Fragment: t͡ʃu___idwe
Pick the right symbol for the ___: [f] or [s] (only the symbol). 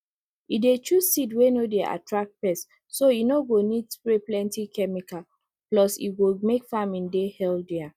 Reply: s